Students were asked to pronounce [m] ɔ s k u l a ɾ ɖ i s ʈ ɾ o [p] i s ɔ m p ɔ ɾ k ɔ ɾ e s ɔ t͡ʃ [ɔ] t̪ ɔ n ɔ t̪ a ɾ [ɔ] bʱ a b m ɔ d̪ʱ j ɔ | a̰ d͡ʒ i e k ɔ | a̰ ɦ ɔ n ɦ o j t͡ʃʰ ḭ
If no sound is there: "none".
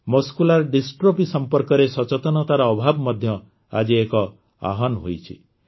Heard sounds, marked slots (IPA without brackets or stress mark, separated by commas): m, p, ɔ, ɔː